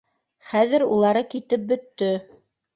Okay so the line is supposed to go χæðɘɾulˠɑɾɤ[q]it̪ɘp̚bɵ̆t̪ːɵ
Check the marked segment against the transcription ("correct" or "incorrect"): incorrect